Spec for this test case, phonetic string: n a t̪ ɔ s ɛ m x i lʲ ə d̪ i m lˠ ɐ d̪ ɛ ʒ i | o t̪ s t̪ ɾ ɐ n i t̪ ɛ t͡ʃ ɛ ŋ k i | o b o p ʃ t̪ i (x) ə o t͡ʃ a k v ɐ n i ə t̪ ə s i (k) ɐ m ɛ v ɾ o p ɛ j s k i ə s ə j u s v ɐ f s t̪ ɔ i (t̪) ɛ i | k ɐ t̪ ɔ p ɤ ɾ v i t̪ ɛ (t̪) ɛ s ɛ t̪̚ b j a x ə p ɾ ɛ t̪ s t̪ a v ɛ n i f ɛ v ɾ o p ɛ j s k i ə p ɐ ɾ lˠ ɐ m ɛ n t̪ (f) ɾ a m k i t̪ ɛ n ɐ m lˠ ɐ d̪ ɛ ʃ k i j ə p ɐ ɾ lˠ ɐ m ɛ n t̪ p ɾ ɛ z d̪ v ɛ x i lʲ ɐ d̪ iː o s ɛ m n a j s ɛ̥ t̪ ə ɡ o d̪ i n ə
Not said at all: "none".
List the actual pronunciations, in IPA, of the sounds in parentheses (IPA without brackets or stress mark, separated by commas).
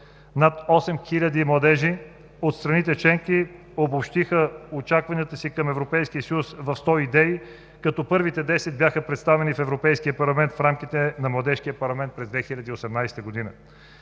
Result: x, k, d̪, d̪, f